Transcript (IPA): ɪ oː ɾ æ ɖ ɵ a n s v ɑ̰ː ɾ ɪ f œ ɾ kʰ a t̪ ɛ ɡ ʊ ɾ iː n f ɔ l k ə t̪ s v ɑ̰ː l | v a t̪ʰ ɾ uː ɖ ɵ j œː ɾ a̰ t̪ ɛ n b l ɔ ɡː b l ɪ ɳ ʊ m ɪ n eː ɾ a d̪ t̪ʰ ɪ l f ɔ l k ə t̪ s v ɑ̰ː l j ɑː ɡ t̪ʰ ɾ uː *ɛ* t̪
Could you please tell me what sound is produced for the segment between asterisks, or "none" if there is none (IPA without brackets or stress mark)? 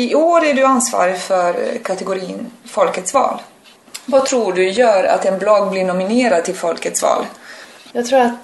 a